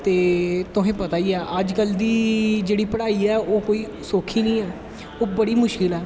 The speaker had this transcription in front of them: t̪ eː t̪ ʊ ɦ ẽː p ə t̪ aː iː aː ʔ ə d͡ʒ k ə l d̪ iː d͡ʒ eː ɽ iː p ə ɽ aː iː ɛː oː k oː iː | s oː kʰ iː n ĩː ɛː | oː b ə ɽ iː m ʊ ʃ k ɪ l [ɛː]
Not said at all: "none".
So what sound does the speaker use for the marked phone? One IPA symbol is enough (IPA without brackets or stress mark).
ɛː